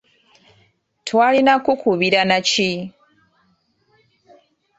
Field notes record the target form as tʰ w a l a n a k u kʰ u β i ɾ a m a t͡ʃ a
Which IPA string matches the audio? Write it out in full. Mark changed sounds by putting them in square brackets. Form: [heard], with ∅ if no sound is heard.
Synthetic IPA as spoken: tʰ w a l [i] n a k u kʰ u β i ɾ a [n] a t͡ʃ [i]